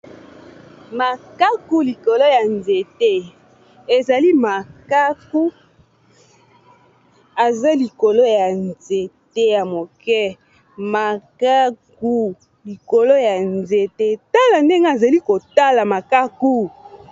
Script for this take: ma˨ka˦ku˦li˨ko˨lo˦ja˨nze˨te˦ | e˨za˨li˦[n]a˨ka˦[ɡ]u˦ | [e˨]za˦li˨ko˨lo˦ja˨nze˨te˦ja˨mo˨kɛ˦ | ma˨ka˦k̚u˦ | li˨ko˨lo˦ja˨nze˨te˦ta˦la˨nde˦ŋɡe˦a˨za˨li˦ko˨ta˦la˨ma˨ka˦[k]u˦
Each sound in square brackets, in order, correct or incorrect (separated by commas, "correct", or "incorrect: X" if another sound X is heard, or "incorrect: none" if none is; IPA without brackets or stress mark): incorrect: m, incorrect: k, incorrect: a˨, correct